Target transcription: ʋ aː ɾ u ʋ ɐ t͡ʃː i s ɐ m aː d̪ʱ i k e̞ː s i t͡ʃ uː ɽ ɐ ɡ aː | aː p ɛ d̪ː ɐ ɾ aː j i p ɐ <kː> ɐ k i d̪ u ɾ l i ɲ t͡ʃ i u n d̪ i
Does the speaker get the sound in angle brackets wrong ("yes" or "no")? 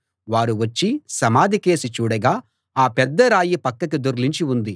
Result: no